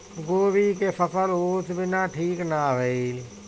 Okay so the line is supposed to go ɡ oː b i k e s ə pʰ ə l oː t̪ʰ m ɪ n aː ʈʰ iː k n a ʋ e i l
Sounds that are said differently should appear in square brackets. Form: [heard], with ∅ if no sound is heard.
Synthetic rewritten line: ɡ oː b i k e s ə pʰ ə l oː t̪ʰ [b] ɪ n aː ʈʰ iː k n a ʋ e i l